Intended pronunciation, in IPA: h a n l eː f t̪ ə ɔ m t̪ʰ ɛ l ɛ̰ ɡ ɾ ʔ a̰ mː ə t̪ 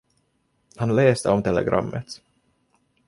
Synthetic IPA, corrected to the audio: h a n l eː s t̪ ə ɔ m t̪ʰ ɛ l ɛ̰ ɡ ɾ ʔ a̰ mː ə t̪